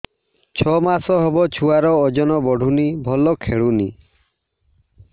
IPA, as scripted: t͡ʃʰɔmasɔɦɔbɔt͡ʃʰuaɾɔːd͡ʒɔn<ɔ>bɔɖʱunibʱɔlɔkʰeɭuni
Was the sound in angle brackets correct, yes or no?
yes